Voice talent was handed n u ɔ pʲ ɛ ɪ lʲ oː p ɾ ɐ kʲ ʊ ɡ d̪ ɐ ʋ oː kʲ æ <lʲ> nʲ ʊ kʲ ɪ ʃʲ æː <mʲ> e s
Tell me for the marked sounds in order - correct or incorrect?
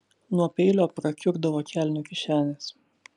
correct, incorrect: nʲ

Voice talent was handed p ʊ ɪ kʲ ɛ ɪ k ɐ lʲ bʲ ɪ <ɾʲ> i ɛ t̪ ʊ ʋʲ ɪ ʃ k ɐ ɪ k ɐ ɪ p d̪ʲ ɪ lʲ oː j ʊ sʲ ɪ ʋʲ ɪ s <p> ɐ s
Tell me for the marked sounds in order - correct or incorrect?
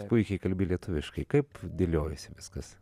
incorrect: lʲ, incorrect: k

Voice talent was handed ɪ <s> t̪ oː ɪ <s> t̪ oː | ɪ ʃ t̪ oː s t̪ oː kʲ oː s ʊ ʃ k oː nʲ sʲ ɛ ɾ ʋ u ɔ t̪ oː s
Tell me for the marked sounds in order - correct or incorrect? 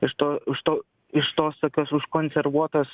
incorrect: ʃ, incorrect: ʃ

